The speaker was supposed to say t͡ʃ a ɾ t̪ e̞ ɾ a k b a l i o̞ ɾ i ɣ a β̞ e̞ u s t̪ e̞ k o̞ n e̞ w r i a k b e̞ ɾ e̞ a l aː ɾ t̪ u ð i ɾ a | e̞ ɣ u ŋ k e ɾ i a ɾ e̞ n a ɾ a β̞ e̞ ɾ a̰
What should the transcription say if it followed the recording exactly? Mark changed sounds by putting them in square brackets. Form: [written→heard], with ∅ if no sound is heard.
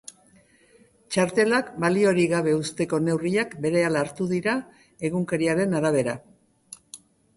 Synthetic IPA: t͡ʃ a ɾ t̪ e̞ [ɾ→l] a k b a l i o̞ ɾ i ɣ a β̞ e̞ u s t̪ e̞ k o̞ n e̞ w r i a k b e̞ ɾ e̞ a l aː ɾ t̪ u ð i ɾ a | e̞ ɣ u ŋ k e ɾ i a ɾ e̞ n a ɾ a β̞ e̞ ɾ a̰